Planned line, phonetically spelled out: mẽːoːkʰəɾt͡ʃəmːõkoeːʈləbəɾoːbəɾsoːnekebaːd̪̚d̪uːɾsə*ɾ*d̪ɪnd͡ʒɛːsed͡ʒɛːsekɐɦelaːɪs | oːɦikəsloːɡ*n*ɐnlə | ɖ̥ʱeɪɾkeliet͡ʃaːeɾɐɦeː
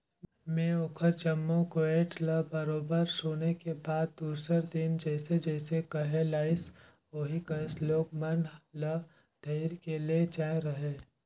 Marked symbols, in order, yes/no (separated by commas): yes, no